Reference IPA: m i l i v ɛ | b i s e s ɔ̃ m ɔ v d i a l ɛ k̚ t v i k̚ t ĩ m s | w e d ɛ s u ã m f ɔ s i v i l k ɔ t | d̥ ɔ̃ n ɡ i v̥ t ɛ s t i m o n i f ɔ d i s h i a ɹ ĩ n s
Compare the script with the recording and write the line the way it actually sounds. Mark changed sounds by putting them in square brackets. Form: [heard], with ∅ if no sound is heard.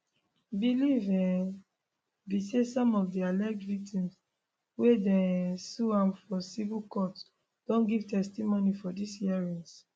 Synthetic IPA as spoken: [b] i l i v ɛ | b i s e s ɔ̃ m ɔ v d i a l ɛ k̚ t v i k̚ t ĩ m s | w e d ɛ s u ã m f ɔ s i v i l k ɔ t | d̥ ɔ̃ n ɡ i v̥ t ɛ s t i m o n i f ɔ d i s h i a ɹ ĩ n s

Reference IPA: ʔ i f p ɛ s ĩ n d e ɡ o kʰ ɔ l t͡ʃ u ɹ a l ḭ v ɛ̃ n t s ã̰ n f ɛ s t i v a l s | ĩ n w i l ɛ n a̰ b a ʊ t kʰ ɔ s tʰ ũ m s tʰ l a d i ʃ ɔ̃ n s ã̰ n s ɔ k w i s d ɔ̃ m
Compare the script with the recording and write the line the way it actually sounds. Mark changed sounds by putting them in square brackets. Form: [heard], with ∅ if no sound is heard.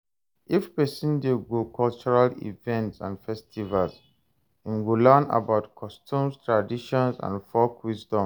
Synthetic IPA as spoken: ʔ i f p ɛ s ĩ n d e ɡ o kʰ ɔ l t͡ʃ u ɹ a l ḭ v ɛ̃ n t s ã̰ n f ɛ s t i v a l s | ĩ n w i l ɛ n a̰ b a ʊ t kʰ ɔ s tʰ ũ m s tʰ [ɹ] a d i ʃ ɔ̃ n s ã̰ n [f] ɔ k w i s d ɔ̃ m

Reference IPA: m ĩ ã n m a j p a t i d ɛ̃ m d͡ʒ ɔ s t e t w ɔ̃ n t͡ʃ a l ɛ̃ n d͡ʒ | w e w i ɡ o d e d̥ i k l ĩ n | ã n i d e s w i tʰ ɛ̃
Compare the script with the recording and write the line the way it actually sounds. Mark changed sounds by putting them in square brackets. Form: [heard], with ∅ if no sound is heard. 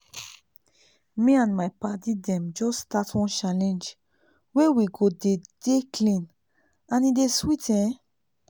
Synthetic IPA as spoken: m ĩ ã n m a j p a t i d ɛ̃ m d͡ʒ ɔ s t [a] t w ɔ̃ n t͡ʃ a l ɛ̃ n d͡ʒ | w e w i ɡ o d e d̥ [e] k l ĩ n | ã n i d e s w i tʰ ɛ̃

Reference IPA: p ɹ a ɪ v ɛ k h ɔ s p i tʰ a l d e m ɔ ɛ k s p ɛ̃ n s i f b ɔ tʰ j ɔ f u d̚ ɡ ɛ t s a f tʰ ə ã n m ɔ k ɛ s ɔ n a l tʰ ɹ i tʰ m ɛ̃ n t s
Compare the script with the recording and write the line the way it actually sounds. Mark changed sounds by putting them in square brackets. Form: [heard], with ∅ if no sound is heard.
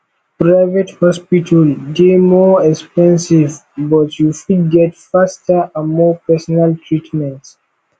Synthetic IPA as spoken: p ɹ a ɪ v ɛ [t] h ɔ s p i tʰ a l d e m ɔ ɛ k s p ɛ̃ n s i [v] b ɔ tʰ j [u] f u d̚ ɡ ɛ t [f] a [s] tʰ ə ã n m ɔ [p] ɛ s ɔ n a l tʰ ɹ i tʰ m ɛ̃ n t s

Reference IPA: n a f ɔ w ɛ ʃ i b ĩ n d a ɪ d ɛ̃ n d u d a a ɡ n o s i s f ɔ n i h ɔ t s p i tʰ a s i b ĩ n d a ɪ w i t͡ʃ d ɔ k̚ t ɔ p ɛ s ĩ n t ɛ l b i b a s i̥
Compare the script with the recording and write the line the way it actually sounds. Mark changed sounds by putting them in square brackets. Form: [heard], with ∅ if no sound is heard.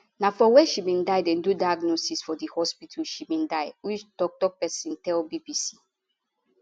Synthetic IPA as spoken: n a f ɔ w ɛ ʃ i b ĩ n d a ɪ d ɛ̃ n d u d a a ɡ n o s i s f ɔ [d] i h ɔ [∅] s p i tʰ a [ʃ] i b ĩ n d a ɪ w i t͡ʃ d ɔ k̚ t ɔ p ɛ s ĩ n t ɛ l b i b [i] s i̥

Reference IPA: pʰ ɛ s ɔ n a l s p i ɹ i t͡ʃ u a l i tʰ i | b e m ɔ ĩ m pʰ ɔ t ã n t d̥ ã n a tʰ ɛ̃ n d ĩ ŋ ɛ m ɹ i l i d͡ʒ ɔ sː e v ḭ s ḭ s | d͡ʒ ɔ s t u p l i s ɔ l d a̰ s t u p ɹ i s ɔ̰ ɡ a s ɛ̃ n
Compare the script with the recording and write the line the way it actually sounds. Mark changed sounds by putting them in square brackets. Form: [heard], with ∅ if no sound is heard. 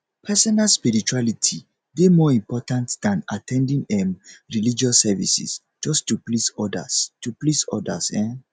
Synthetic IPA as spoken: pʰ ɛ s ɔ n a l s p i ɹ i t͡ʃ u a l i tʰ i | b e m ɔ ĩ m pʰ ɔ t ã n t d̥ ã n a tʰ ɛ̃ n d ĩ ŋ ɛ m ɹ i l i d͡ʒ ɔ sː [ɛ] v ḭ s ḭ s | d͡ʒ ɔ s t u p l i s ɔ [∅] d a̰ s t u p [l] i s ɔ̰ [d] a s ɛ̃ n

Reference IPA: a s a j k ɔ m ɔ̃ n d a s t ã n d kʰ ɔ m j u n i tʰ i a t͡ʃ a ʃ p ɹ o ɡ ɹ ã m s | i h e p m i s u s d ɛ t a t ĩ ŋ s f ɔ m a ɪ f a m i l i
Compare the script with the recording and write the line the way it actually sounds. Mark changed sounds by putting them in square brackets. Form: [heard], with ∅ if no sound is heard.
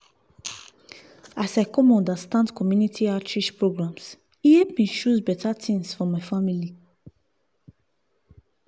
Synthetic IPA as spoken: a s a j k ɔ m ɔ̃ n d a s t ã n d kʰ ɔ m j u n i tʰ i a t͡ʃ [i] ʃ p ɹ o ɡ ɹ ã m s | i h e p m i [ʃ] u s [b] ɛ t a t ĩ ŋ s f ɔ m a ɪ f a m i l i

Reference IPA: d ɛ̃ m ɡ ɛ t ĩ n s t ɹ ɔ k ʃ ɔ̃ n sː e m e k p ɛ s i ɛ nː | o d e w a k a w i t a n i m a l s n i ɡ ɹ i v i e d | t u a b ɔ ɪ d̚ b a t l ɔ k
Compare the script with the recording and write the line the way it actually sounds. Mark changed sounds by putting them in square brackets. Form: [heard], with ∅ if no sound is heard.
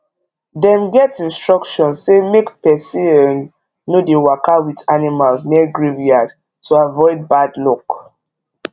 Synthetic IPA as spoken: d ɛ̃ m ɡ ɛ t ĩ n s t ɹ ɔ k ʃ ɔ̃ n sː e m e k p ɛ s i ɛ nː | o d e w a k a w i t a n i m a l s n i ɡ ɹ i v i [a] d | t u a [v] ɔ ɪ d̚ b a [d] l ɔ k

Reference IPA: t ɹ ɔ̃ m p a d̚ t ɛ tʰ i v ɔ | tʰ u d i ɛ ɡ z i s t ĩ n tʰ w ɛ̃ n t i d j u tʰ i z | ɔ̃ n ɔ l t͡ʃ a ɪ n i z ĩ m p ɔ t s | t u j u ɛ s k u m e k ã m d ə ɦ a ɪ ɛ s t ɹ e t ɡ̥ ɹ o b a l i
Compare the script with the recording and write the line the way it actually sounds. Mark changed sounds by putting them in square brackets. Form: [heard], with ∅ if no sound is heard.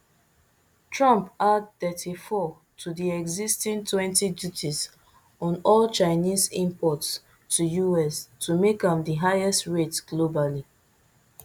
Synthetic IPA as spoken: t ɹ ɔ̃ m p a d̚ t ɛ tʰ i [f] ɔ | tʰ u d i ɛ ɡ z i s t ĩ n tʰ w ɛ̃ n t i d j u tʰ i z | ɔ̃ n ɔ l t͡ʃ a ɪ n i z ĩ m p ɔ t s | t u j u ɛ s [t] u m e k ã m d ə ɦ a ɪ ɛ s t ɹ e t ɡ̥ [l] o b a l i

